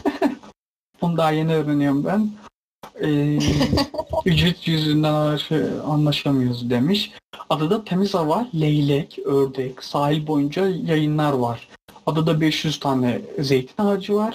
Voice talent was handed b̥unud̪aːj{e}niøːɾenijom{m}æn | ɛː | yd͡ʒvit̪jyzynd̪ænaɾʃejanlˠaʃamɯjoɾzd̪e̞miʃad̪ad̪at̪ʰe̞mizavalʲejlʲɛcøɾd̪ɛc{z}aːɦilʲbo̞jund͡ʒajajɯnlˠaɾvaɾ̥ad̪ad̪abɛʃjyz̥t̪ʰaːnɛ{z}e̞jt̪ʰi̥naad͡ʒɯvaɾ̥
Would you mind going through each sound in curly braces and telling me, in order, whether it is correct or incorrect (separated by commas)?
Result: correct, incorrect, incorrect, correct